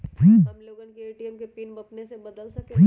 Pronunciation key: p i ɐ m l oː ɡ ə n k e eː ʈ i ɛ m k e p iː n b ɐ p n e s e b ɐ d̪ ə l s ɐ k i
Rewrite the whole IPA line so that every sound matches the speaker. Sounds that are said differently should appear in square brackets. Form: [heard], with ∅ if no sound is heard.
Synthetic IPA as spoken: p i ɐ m l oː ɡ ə n k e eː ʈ i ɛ m k e p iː n b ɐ p n e s e b ɐ d̪ ə l s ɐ k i